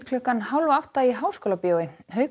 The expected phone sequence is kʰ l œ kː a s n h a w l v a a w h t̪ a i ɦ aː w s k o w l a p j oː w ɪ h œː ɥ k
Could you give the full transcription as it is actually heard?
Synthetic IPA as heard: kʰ l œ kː a n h a w l v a a w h t̪ a i ɦ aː w s k o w l a p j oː w ɪ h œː ɥ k